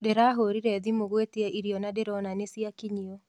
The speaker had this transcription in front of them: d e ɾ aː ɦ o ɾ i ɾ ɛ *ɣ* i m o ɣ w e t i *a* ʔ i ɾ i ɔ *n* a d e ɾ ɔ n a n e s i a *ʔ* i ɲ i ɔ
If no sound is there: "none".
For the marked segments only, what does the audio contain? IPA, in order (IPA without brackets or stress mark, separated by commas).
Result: ð, ɛ, n, k